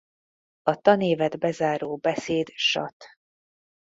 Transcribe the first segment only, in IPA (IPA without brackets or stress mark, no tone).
ɒ